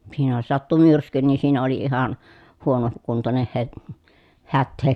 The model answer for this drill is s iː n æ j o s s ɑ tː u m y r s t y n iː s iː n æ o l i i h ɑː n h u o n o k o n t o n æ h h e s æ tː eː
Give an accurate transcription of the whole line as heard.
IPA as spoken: s iː n æ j o s s ɑ tː u m y r s k y n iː s iː n æ o l i i h ɑ n h u o n o k u n t o n e h h e h æ tː eː